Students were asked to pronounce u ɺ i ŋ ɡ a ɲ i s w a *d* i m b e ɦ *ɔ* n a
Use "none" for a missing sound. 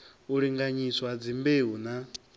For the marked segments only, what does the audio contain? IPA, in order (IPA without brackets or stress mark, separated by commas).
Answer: d͡z, u